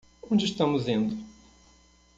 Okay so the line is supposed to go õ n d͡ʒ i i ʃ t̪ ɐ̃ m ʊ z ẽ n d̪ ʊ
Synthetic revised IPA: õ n d͡ʒ ɪ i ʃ t̪ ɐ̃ m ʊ z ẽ n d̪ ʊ